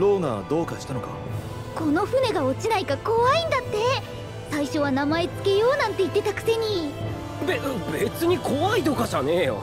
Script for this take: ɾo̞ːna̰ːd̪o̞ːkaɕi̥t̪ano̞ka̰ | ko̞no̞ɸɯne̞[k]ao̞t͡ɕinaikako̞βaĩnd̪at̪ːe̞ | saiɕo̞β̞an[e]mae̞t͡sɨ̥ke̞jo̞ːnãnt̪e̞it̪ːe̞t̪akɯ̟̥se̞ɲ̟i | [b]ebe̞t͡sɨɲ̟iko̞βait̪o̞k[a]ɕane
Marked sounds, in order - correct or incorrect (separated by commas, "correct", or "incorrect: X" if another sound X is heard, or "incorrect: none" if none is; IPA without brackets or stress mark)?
incorrect: ɡ, incorrect: a, correct, correct